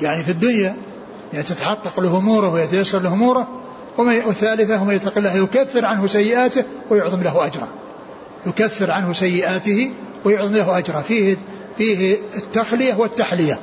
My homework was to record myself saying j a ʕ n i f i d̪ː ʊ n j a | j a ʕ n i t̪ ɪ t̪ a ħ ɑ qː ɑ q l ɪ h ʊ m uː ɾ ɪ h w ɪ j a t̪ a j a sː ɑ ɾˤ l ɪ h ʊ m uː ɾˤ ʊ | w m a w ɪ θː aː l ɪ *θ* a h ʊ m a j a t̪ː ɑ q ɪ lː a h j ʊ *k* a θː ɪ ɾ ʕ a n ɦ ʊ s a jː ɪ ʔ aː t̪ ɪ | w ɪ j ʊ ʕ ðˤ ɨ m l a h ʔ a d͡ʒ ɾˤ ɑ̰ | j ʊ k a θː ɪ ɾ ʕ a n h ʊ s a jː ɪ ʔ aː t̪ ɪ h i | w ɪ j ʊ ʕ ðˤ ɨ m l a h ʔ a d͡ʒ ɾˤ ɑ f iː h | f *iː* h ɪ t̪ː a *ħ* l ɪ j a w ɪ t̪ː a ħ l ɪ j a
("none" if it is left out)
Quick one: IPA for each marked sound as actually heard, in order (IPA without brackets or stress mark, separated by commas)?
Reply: θ, k, iː, x